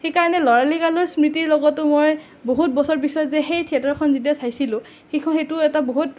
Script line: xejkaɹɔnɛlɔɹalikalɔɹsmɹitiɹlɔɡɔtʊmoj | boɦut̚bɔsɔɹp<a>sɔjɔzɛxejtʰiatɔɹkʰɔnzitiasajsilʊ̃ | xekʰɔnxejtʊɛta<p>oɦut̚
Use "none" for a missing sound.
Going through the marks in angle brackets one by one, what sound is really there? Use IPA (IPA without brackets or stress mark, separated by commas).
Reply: i, b